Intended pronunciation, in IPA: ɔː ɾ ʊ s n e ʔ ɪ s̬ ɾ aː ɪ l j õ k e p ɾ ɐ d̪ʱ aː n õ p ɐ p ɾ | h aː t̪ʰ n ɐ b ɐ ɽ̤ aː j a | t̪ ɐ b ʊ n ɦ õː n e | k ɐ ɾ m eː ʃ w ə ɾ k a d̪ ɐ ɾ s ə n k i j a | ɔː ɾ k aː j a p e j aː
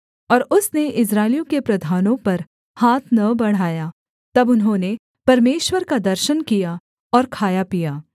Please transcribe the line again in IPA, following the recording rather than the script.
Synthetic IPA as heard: ɔː ɾ ʊ s n e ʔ ɪ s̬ ɾ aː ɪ l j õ k e p ɾ ɐ d̪ʱ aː n õ p ɐ ɾ | h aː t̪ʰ n ɐ b ɐ ɽ̤ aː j a | t̪ ɐ b ʊ n ɦ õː n e | p ɐ ɾ m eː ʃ w ə ɾ k a d̪ ɐ ɾ ʃ ə n k i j a | ɔː ɾ kʰ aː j a p i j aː